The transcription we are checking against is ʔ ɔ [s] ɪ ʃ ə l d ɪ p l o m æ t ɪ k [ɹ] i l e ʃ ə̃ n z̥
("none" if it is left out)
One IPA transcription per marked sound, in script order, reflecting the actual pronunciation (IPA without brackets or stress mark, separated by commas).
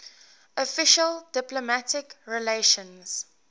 f, ɹ